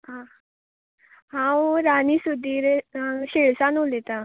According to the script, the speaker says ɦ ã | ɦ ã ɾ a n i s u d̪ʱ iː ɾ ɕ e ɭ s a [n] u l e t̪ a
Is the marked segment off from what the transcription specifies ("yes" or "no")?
no